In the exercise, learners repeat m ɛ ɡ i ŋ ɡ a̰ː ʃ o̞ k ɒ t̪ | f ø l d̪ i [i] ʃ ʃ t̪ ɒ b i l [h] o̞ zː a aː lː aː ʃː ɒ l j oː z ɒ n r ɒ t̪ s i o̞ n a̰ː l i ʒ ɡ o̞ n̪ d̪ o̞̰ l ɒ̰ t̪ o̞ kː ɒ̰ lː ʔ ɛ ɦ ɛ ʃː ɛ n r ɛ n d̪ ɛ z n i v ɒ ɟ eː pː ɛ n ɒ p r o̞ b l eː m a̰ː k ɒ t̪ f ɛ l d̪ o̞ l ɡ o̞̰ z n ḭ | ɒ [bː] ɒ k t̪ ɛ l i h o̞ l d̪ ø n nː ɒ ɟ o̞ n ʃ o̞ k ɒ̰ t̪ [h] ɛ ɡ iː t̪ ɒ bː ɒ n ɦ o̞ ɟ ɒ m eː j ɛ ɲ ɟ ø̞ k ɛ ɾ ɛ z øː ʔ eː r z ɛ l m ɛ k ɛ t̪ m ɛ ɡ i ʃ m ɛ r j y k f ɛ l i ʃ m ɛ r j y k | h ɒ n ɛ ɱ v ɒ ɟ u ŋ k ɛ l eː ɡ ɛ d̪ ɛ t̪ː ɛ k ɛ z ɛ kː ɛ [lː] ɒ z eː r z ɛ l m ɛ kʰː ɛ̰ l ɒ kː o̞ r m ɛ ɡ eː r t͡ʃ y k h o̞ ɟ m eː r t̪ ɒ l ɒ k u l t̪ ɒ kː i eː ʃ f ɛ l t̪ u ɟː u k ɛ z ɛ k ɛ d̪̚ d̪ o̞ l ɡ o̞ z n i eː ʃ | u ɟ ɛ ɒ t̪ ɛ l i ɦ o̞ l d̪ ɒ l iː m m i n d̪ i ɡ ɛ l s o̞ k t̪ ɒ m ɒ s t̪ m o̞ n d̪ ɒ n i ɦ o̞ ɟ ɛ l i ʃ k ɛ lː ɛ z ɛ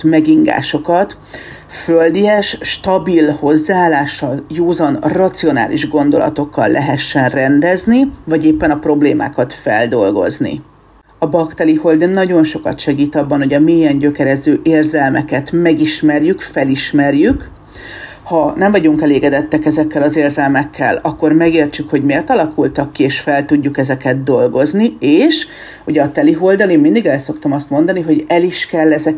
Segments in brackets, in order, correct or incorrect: incorrect, correct, incorrect, incorrect, incorrect

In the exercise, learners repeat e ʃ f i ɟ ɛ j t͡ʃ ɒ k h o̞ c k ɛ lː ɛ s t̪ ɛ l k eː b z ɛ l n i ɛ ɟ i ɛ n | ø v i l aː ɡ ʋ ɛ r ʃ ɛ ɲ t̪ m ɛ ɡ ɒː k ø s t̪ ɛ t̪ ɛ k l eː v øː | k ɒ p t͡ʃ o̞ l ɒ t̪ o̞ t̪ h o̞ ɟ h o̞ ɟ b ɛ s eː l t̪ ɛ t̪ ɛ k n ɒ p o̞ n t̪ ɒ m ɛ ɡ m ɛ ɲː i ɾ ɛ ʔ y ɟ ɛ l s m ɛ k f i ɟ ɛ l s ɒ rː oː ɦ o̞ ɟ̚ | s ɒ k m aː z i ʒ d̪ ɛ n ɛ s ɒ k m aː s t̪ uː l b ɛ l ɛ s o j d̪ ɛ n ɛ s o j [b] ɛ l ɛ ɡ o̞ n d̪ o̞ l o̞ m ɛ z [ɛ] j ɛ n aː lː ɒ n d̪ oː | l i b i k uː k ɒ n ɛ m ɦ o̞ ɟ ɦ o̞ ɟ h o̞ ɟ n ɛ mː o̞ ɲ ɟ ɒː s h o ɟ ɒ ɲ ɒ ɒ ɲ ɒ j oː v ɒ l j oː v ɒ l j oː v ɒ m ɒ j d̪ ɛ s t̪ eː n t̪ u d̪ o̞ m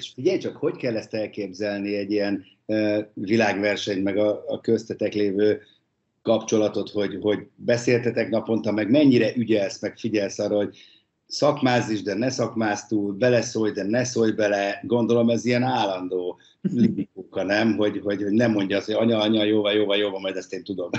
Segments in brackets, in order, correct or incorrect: correct, incorrect

